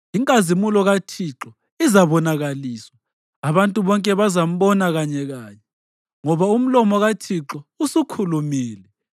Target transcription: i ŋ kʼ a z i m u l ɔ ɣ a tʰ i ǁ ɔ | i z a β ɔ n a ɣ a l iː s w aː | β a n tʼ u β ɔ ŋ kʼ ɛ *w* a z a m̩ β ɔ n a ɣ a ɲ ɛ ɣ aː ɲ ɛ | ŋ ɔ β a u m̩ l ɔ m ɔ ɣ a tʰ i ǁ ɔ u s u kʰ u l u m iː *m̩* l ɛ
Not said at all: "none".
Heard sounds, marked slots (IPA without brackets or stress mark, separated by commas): β, none